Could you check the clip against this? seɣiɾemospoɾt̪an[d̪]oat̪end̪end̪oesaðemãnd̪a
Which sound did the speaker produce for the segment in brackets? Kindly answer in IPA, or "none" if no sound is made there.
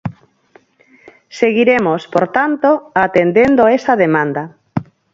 t̪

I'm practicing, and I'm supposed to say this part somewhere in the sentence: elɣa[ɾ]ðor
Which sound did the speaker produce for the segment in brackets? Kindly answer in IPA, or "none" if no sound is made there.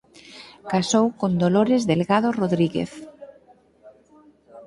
none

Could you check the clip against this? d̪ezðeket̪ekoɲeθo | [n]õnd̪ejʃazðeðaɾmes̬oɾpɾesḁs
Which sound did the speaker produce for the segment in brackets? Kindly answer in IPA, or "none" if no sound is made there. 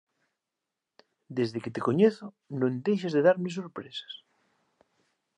n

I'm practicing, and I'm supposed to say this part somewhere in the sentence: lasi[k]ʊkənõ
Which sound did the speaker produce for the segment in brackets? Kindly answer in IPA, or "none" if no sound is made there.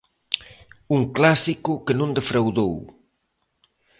k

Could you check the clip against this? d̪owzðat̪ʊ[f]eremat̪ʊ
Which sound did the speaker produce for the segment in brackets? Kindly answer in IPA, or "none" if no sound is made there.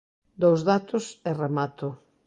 s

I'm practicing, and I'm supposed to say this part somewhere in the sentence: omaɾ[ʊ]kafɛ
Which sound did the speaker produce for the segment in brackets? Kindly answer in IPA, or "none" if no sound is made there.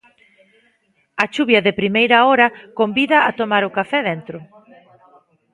ʊ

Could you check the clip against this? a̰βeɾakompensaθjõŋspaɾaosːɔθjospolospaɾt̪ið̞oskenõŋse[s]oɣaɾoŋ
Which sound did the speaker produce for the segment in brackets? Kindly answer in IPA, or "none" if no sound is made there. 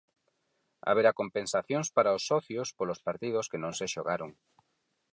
ʃ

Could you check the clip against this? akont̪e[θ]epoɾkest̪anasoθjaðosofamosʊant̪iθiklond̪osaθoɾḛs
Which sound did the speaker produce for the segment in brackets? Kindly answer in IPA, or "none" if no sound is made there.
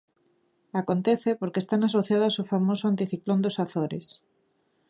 θ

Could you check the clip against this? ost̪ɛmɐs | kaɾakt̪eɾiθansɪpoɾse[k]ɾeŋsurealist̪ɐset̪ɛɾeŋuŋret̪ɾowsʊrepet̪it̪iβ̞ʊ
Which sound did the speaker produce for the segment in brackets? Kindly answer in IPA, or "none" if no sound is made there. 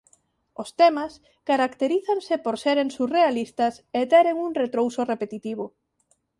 none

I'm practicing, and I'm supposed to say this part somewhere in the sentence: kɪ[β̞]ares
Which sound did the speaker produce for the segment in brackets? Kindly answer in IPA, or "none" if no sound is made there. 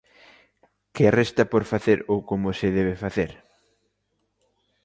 none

